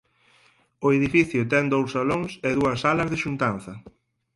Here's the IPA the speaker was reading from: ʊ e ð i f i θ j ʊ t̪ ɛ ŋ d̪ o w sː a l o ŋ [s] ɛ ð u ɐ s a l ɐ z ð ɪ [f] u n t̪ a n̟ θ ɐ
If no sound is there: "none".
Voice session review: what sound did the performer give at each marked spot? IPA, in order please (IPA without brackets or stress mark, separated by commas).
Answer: s, ʃ